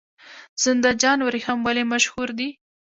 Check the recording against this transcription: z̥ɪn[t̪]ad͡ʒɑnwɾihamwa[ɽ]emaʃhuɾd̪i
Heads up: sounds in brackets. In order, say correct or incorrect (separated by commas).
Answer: incorrect, incorrect